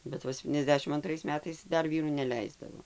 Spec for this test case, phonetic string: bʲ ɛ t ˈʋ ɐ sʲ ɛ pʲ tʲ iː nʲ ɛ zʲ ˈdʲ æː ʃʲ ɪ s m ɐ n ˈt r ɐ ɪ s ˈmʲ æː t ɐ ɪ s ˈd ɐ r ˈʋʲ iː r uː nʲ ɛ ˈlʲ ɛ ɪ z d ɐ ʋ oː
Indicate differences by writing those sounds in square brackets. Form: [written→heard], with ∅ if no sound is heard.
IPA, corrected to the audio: bʲ ɛ t ˈʋ ɐ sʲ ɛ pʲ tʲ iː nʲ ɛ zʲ ˈdʲ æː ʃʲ ɪ [s→∅] m ɐ n ˈt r ɐ ɪ s ˈmʲ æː t ɐ ɪ s ˈd ɐ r ˈʋʲ iː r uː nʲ ɛ ˈlʲ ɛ ɪ z d ɐ ʋ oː